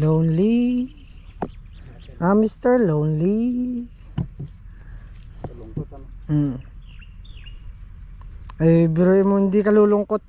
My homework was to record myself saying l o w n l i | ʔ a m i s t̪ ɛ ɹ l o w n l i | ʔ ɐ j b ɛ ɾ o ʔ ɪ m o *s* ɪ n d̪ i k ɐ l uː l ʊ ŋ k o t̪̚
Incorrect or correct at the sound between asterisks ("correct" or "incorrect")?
incorrect